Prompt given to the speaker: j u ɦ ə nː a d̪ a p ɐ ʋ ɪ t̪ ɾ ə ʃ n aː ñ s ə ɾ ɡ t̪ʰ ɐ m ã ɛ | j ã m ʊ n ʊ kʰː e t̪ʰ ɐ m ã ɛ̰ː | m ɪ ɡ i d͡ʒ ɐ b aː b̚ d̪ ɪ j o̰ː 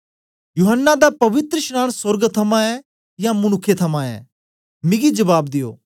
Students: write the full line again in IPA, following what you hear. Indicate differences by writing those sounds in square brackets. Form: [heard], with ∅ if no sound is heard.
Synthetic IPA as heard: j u ɦ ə nː a d̪ a p ɐ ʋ ɪ t̪ ɾ ə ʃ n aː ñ s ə ɾ ɡ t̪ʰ ɐ m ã ɛ | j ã m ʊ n ʊ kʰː e t̪ʰ ɐ m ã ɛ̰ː | m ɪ ɡ i d͡ʒ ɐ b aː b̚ d̪ ɪ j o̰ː